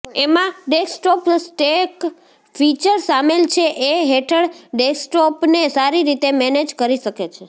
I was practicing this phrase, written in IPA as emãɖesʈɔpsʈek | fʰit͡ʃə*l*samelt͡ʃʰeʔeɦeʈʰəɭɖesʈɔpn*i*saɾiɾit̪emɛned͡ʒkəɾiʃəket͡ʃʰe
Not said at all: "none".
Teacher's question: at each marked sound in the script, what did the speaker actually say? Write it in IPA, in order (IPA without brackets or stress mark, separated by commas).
ɾ, e